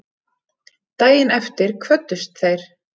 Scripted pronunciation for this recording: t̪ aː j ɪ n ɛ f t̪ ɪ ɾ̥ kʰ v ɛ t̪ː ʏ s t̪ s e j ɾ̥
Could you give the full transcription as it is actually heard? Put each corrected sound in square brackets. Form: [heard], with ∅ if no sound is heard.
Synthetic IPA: t̪ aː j ɪ n ɛ f t̪ ɪ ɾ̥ kʰ v [œ] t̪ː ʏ s t̪ [θ] e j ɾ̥